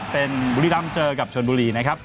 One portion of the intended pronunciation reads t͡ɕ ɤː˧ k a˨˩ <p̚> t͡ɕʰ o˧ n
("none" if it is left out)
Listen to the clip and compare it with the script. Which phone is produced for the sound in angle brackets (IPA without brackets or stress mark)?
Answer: p̚